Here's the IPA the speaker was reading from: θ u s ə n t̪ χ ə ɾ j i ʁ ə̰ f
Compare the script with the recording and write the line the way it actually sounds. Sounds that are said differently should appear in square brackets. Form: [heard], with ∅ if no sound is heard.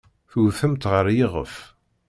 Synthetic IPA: θ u [θ] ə [m] t̪ [ʁ] ə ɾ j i ʁ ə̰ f